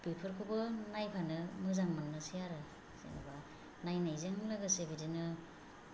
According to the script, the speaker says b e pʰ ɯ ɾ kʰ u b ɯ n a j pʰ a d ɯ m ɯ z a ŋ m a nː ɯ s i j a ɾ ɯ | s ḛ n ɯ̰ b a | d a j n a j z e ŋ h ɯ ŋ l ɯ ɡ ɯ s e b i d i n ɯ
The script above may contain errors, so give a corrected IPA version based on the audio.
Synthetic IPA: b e pʰ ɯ ɾ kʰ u b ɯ n a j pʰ a n ɯ m ɯ z a ŋ m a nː ɯ s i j a ɾ ɯ | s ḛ n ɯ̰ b a | n a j n a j z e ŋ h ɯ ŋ l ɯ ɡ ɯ s e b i d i n ɯ